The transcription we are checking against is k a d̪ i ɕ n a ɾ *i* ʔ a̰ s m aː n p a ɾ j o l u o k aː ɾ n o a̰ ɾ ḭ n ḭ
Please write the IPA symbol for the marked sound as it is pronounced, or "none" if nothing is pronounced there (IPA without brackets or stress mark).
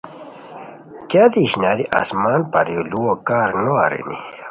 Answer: i